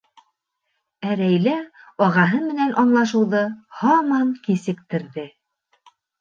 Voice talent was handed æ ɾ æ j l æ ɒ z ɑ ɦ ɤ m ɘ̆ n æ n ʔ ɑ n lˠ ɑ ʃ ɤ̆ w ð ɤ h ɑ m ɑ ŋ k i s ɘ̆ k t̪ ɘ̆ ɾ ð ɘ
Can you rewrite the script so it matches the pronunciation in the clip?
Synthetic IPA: æ ɾ æ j l æ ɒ ʁ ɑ ɦ ɤ m ɘ̆ n æ n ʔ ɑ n lˠ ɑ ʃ ɤ̆ w ð ɤ h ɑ m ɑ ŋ k i s ɘ̆ k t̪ ɘ̆ ɾ ð ɘ